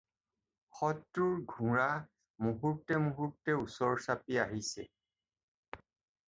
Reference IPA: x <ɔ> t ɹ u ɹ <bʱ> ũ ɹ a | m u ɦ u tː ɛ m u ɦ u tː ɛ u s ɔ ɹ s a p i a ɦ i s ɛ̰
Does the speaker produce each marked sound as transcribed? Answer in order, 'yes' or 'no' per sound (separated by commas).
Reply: yes, no